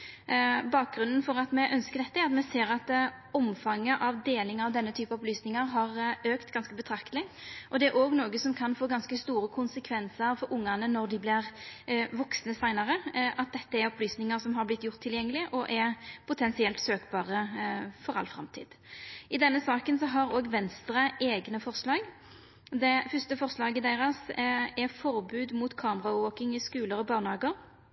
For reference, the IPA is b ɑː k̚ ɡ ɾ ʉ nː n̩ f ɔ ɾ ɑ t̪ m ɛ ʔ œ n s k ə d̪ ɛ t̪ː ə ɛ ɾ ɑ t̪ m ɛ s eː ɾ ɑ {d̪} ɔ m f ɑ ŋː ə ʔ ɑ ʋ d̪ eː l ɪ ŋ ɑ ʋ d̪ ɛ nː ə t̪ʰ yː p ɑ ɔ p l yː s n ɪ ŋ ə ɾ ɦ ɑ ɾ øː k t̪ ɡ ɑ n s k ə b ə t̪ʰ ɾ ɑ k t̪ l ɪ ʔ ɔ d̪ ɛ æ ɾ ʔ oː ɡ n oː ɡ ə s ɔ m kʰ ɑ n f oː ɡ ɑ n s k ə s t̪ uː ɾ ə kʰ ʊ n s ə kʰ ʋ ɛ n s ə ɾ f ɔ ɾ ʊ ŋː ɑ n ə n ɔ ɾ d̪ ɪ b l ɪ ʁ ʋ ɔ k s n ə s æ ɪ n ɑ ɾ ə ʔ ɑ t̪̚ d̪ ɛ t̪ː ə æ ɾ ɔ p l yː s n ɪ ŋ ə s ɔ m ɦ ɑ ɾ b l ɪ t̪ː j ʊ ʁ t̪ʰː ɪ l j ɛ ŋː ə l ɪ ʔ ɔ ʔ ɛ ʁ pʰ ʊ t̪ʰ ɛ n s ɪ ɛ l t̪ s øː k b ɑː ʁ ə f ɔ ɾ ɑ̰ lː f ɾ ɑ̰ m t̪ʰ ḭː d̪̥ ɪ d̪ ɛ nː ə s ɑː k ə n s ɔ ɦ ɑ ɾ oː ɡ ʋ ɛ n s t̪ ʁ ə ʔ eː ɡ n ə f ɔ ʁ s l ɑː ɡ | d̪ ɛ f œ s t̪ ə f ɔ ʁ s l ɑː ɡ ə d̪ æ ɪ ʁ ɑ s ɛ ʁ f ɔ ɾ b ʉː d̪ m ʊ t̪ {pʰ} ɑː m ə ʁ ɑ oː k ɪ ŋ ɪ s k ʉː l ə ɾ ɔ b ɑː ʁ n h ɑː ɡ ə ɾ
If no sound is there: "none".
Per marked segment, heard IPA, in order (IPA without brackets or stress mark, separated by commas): t̪, kʰ